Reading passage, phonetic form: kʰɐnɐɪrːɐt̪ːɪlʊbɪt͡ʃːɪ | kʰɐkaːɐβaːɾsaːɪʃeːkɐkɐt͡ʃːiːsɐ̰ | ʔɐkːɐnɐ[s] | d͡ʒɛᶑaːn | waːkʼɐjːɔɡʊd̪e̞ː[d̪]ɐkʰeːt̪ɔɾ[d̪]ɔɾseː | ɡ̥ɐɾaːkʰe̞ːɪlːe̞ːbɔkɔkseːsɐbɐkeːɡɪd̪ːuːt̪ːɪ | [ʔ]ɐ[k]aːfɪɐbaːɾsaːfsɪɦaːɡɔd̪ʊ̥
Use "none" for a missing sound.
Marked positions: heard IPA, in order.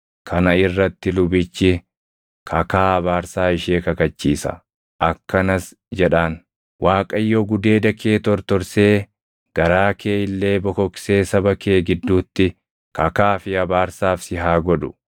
s, d̪, t̪, k, k

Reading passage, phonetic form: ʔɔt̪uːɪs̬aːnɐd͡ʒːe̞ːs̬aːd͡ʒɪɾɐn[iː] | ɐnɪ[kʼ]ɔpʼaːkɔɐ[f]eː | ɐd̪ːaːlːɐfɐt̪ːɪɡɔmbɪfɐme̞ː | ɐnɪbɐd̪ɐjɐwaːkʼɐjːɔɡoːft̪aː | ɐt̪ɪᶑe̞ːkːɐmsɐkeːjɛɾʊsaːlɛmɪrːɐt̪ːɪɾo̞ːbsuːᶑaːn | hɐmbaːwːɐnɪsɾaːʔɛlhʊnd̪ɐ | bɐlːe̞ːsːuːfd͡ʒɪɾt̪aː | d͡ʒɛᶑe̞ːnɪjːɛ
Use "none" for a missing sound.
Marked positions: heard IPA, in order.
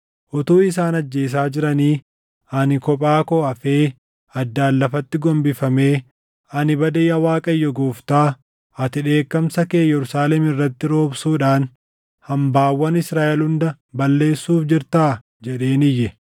iː, k, f

